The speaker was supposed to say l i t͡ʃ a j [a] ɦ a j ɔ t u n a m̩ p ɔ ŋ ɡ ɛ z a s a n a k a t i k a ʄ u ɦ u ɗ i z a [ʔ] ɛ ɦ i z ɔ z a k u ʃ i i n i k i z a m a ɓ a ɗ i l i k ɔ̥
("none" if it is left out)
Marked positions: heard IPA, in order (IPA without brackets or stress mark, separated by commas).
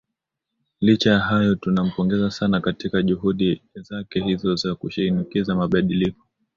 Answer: a, k